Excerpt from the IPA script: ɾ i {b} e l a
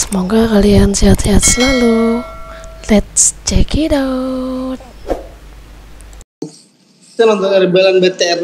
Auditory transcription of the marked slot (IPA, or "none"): b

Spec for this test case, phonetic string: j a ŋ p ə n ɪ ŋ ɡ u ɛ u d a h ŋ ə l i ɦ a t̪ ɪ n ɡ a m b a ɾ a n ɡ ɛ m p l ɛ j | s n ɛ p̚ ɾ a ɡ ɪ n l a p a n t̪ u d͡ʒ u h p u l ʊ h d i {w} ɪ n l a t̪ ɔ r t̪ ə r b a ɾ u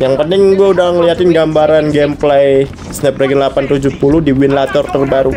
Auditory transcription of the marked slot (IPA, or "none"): w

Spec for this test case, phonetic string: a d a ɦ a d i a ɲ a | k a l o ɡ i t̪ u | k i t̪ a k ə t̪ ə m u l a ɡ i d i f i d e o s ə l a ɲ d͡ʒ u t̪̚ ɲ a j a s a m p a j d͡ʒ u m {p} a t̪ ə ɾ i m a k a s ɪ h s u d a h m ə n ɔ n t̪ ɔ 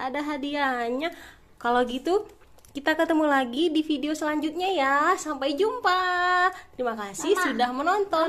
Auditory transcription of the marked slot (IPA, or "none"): p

